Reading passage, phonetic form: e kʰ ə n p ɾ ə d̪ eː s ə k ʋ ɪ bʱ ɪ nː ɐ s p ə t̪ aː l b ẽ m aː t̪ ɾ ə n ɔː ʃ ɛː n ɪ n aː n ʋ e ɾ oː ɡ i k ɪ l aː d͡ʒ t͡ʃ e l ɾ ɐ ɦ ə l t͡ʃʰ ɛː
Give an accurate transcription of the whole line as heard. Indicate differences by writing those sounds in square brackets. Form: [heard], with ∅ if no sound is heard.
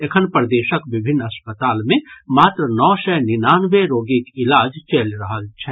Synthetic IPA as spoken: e kʰ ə n p ɾ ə d̪ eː [ʃ] ə k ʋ ɪ bʱ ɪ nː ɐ s p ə t̪ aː l [m] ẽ m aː t̪ ɾ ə n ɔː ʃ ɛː n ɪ n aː n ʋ e ɾ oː ɡ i k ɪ l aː d͡ʒ t͡ʃ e l ɾ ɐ ɦ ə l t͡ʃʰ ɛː